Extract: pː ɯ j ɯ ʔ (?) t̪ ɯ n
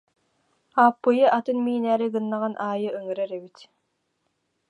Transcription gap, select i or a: a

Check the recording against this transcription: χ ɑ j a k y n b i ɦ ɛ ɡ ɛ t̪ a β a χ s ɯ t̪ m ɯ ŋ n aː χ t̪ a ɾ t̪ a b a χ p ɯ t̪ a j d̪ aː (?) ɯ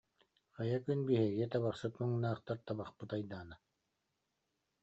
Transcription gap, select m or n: n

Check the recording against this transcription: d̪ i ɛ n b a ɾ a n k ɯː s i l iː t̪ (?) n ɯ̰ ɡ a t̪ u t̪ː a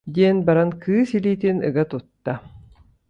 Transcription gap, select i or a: i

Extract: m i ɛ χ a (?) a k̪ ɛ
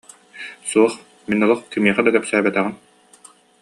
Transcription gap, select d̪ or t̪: d̪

